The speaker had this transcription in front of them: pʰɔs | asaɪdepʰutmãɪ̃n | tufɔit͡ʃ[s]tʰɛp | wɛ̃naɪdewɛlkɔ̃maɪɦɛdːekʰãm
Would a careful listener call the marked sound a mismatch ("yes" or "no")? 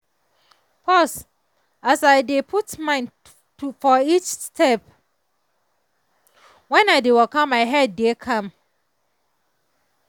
no